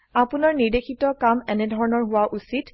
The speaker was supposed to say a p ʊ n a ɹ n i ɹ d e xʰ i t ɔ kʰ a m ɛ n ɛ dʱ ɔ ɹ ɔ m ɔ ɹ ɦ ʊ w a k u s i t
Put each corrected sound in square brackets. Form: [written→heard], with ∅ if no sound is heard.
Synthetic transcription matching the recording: a p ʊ n a ɹ n i ɹ d e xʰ i t ɔ [kʰ→k] a m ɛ n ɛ dʱ ɔ ɹ ɔ [m→n] ɔ ɹ ɦ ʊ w a [k→ʔ] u s i t